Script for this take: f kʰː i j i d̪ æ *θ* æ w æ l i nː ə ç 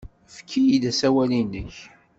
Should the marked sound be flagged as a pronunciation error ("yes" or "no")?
yes